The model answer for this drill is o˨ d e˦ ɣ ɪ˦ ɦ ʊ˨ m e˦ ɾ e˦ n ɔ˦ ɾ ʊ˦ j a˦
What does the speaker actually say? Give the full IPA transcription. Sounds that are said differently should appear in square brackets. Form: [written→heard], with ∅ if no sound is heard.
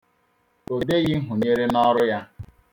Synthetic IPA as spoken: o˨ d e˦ ɣ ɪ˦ ɦ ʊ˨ [m→ɲ] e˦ ɾ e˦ n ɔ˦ ɾ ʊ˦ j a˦